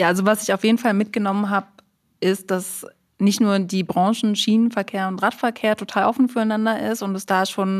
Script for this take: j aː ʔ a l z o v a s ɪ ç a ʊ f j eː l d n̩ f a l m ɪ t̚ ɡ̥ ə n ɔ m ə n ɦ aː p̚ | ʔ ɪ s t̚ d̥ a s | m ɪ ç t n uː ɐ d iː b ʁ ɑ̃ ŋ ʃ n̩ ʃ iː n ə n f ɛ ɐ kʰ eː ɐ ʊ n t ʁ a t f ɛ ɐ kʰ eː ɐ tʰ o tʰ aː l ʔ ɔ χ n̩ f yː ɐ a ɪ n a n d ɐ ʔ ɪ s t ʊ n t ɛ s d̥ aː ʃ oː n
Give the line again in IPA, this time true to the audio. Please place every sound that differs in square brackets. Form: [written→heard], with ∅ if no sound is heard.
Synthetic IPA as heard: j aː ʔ a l z o v a s ɪ ç a ʊ f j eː [l→∅] d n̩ f a l m ɪ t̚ ɡ̥ ə n ɔ m ə n ɦ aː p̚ | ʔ ɪ s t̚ d̥ a s | [m→n] ɪ ç t n uː ɐ d iː b ʁ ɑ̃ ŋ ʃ n̩ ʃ iː n ə n f ɛ ɐ kʰ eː ɐ ʊ n t ʁ a t f ɛ ɐ kʰ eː ɐ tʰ o tʰ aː l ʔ ɔ [χ→f] n̩ f yː ɐ a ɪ n a n d ɐ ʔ ɪ s t ʊ n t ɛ s d̥ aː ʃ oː n